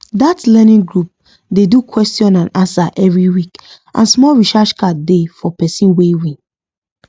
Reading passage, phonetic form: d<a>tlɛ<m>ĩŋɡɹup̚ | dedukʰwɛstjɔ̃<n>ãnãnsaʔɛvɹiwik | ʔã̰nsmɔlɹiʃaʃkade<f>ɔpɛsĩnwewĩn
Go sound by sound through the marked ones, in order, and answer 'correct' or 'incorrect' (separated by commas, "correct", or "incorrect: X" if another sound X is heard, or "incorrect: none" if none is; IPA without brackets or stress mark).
correct, incorrect: n, correct, correct